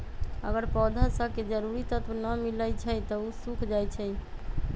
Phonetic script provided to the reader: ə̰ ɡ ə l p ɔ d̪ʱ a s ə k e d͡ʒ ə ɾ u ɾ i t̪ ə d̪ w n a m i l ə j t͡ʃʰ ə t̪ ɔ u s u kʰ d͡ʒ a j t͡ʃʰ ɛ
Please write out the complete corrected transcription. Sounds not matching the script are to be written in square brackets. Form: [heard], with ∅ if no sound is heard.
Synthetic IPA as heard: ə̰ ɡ ə [ɾ] p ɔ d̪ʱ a s ə k e d͡ʒ ə ɾ u ɾ i t̪ ə [t̪] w n [ə] m i l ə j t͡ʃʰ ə t̪ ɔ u s u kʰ d͡ʒ a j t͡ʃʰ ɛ